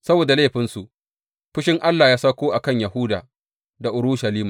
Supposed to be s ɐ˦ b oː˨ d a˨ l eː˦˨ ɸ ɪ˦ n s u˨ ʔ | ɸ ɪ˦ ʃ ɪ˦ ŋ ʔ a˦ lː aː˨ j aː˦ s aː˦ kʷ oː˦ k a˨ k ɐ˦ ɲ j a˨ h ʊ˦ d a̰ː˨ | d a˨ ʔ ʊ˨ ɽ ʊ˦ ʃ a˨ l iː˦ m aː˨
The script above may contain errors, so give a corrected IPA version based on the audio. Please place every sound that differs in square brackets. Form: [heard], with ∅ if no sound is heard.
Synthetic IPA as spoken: s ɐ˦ b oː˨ d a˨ l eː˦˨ ɸ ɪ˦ n s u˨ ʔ | ɸ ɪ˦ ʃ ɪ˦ ŋ ʔ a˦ lː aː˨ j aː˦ s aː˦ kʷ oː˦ [ʔ] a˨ k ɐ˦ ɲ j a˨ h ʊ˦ d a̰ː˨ | d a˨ ʔ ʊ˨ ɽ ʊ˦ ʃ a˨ l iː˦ m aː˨